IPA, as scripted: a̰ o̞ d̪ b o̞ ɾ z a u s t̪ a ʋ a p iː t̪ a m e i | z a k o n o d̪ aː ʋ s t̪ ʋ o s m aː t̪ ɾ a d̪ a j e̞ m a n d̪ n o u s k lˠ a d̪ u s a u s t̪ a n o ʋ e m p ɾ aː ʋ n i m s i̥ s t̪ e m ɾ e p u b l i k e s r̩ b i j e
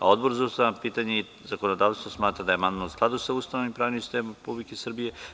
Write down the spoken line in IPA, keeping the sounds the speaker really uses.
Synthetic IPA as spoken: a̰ o̞ d̪ b o̞ ɾ z a u s t̪ a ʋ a p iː t̪ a ɲ e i | z a k o n o d̪ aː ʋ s t̪ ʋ o s m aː t̪ ɾ a d̪ a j e̞ m a n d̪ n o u s k lˠ a d̪ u s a u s t̪ a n o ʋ i m p ɾ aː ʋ n i m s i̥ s t̪ e m ɾ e p u b l i k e s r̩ b i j e